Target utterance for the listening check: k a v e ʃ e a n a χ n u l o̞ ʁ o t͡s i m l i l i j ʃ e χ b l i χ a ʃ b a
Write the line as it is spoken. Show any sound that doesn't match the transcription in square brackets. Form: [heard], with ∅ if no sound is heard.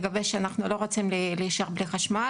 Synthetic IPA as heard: [ɡ] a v e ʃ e a n a χ n u l o̞ ʁ o t͡s i m l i l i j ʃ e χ b l i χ a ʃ [m] a